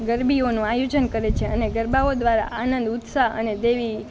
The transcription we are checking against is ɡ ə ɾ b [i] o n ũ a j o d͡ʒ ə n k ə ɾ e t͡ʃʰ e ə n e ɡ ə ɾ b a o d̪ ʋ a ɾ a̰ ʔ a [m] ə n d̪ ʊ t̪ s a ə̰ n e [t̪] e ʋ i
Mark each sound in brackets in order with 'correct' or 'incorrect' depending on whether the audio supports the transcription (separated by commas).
correct, incorrect, incorrect